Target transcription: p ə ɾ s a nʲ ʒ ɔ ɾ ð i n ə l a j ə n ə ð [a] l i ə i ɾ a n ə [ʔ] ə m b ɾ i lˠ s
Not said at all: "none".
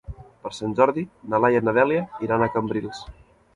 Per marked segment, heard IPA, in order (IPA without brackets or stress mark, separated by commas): ɛ, k